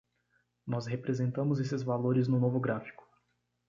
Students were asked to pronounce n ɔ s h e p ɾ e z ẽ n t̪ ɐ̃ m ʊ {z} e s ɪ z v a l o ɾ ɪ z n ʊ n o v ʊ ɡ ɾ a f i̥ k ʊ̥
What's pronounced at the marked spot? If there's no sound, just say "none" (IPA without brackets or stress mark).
z